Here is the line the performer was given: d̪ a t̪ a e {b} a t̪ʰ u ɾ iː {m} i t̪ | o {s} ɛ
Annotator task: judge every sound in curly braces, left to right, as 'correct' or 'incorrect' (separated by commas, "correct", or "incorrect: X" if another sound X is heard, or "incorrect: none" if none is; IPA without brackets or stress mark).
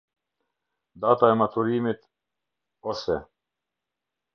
incorrect: m, correct, correct